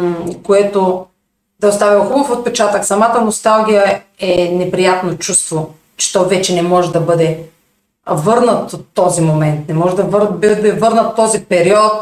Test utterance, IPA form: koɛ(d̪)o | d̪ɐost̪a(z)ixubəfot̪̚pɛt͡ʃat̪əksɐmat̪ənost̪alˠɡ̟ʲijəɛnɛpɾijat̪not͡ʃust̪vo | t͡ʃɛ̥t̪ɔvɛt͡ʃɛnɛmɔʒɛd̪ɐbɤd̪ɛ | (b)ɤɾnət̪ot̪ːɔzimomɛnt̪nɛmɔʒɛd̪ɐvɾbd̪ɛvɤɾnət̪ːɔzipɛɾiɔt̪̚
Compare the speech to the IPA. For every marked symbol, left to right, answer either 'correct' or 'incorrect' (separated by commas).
incorrect, incorrect, incorrect